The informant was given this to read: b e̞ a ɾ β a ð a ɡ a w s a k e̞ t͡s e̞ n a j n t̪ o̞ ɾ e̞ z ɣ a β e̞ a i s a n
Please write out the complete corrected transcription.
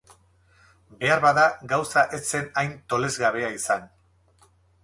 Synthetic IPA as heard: b e̞ a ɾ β a ð a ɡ a w s a ʔ e̞ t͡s e̞ n a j n t̪ o̞ l e̞ z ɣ a β e̞ a i s a n